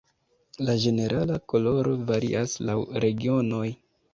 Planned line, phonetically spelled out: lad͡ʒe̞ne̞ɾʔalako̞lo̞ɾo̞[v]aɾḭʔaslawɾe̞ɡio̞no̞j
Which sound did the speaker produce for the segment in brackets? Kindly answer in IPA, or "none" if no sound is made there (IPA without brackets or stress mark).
v